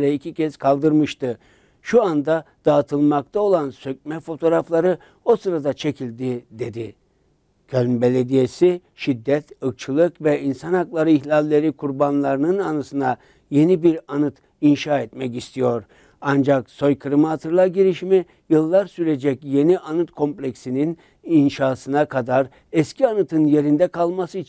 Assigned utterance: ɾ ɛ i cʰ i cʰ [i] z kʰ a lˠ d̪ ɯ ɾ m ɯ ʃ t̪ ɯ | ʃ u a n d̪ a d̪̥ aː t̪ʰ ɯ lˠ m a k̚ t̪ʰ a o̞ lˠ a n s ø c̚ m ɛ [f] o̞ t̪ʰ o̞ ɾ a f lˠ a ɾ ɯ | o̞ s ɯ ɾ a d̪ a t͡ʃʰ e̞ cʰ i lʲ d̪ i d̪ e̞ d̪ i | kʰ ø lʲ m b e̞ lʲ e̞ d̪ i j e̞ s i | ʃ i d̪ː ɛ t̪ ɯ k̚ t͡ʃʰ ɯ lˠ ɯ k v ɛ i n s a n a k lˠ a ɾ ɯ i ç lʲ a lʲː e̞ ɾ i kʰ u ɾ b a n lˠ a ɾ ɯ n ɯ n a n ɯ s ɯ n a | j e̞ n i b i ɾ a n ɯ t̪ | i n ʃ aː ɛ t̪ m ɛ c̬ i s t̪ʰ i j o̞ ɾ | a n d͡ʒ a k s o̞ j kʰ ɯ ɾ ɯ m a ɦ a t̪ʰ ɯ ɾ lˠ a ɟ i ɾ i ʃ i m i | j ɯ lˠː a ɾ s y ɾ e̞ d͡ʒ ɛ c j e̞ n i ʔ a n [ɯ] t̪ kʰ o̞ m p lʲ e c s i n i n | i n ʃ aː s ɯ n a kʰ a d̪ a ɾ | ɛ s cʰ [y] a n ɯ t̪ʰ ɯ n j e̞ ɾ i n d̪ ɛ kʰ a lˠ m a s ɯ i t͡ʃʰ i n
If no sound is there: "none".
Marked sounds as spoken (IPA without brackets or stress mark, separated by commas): ɛ, f, ɯ, i